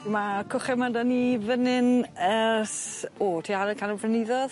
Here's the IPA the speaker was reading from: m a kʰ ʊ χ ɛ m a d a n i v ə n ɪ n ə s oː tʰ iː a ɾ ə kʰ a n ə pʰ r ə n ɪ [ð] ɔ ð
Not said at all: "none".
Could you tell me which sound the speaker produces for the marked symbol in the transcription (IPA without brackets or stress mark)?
ð